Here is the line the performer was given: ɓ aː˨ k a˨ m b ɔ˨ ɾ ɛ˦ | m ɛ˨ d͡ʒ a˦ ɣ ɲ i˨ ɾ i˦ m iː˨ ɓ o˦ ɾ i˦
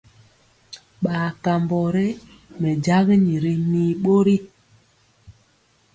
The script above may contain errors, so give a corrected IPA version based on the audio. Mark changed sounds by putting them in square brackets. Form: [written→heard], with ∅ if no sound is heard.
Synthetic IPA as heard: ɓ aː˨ k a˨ m b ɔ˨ ɾ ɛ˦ | m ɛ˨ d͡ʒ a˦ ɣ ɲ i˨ ɾ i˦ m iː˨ ɓ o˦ ɾ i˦